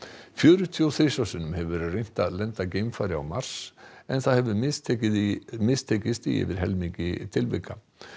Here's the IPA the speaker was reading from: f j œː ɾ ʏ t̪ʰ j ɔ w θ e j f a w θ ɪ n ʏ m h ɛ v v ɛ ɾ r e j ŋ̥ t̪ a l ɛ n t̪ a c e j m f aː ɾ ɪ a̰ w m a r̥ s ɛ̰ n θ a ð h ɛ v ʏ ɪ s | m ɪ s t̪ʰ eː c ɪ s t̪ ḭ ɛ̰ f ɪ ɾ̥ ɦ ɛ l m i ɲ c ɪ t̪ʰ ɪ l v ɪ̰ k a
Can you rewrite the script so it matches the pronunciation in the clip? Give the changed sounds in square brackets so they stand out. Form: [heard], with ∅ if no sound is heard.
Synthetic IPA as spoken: f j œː ɾ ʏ t̪ʰ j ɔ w θ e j [s] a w [s] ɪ n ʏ m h ɛ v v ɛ ɾ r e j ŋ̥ t̪ a l ɛ n t̪ a c e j m f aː ɾ ɪ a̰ w m a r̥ s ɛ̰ n θ a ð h ɛ v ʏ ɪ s | m ɪ s t̪ʰ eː c ɪ s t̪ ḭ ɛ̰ [v] ɪ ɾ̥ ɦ ɛ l m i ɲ c ɪ t̪ʰ ɪ l v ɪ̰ k a

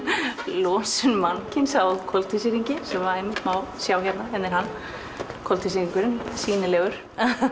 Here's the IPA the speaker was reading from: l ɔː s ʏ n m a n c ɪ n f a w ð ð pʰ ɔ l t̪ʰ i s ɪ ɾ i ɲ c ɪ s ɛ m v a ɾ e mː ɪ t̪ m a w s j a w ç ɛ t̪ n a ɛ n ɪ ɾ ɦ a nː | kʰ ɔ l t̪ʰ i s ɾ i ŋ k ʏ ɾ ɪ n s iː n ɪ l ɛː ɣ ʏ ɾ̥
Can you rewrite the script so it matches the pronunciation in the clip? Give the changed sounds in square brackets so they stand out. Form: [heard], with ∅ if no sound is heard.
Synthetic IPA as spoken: l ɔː s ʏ n m a n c ɪ n [s] a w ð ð [kʰ] ɔ l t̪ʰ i s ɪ ɾ i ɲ c ɪ s ɛ m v a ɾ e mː ɪ t̪ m a w s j a w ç ɛ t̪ n a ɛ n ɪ ɾ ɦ a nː | kʰ ɔ l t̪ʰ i s ɾ i ŋ k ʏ ɾ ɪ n s iː n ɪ l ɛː ɣ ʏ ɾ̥

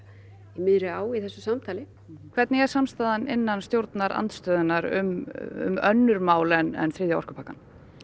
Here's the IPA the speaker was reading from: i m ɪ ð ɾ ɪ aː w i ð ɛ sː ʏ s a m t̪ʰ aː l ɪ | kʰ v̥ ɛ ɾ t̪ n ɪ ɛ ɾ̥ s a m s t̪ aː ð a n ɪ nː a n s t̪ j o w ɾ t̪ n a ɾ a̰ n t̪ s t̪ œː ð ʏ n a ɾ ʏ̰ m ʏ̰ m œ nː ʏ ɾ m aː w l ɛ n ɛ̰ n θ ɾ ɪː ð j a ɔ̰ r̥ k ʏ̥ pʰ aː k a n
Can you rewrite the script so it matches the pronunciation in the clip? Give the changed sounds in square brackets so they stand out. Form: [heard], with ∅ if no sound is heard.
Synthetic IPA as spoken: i m ɪ ð ɾ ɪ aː w i [θ] ɛ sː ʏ s a m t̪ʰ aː l ɪ | kʰ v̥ ɛ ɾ t̪ n ɪ ɛ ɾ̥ s a m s t̪ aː ð a n ɪ nː a n s t̪ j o w ɾ t̪ n a ɾ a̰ n t̪ s t̪ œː ð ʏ n a ɾ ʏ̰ m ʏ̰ m œ nː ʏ ɾ m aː w l ɛ n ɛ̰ n θ ɾ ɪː ð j a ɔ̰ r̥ k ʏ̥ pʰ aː k a n

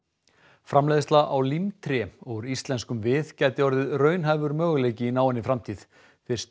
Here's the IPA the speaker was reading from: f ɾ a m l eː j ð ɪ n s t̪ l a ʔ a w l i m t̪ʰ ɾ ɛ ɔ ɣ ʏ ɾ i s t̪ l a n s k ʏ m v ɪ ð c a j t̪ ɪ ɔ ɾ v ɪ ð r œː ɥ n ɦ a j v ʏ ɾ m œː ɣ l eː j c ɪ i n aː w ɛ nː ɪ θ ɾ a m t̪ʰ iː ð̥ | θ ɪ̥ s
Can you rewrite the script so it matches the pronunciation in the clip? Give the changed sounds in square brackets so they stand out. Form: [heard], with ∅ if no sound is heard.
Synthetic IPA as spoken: f ɾ a m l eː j ð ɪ [∅] s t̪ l a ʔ a w l i m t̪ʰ ɾ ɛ ɔ ɣ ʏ ɾ i s t̪ l [ɛ] n s k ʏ m v ɪ ð c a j t̪ ɪ ɔ ɾ [ð] ɪ ð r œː ɥ n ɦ a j v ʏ ɾ m œː ɣ l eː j c ɪ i n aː w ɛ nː ɪ [f] ɾ a m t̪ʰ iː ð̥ | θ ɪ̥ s

